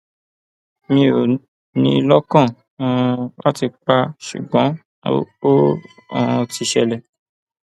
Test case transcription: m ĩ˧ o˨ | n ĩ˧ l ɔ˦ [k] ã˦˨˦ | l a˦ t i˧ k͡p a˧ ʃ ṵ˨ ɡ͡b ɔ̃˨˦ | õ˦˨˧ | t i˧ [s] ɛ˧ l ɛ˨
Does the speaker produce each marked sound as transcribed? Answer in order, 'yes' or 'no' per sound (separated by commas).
yes, no